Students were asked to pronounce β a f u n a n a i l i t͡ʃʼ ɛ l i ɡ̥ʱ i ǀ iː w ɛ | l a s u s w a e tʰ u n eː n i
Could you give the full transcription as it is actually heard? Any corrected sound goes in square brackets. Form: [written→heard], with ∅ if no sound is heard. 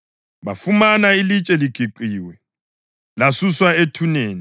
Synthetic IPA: β a f u [n→m] a n a i l i t͡ʃʼ ɛ l i ɡ̥ʱ i [ǀ→ǃ] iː w ɛ | l a s u s w a e tʰ u n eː n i